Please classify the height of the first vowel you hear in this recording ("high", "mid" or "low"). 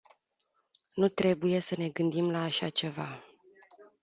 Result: high